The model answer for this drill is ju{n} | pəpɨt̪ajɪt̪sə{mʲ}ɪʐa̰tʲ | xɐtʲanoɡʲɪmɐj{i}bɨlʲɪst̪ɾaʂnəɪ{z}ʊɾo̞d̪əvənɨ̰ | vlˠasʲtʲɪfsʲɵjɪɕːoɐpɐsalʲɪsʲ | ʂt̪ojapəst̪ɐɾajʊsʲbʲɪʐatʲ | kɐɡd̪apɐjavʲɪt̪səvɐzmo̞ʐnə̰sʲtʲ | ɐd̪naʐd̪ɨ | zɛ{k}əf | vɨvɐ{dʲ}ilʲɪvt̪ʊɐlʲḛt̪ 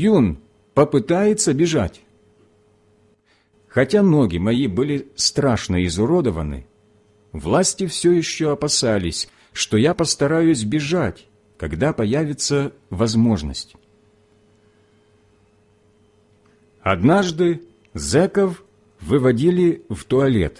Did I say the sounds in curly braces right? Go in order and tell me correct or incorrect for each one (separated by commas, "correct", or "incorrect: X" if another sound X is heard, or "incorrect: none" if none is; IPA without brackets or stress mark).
correct, incorrect: bʲ, correct, correct, correct, correct